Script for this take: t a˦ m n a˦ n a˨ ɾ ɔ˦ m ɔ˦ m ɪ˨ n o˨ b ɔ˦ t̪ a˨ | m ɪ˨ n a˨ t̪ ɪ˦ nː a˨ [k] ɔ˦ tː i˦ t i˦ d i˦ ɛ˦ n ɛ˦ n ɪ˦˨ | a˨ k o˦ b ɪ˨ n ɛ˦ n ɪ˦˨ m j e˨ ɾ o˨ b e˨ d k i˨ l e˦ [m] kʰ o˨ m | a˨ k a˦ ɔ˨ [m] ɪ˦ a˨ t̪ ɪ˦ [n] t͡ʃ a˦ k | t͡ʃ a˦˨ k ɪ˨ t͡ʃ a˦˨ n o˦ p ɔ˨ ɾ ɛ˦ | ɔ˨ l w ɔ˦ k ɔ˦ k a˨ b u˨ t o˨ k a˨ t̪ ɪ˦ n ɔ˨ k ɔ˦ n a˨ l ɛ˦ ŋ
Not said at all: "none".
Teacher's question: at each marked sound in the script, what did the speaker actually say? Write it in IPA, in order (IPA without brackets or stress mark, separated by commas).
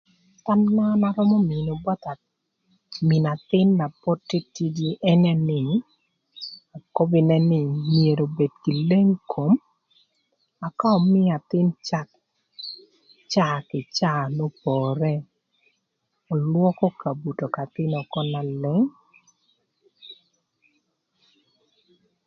p, ŋ, m, n